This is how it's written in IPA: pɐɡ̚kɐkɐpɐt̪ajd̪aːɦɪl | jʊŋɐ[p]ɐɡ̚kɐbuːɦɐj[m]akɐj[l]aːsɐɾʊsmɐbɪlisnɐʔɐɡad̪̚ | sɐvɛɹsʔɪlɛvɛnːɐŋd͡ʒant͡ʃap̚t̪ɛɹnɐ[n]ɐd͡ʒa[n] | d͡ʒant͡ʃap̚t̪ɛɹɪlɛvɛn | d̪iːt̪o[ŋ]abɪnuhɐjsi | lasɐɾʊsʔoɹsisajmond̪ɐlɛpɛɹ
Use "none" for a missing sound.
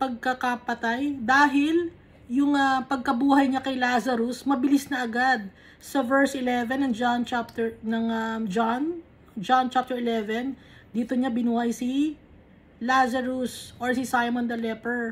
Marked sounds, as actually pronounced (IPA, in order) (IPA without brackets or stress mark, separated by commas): p, ɲ, l, ŋ, n, ɲ